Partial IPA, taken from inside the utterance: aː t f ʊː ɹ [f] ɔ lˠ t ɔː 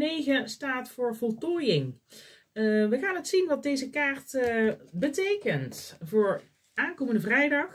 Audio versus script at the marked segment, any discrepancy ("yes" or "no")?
yes